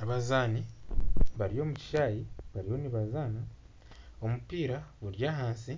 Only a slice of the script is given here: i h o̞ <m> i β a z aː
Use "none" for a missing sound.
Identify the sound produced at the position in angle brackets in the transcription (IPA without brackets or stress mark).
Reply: n